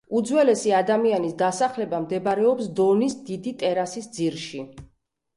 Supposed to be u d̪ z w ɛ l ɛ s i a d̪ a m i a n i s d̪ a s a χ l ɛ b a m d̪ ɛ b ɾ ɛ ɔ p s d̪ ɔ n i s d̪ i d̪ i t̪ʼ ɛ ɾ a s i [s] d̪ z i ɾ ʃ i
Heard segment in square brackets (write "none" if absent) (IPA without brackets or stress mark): s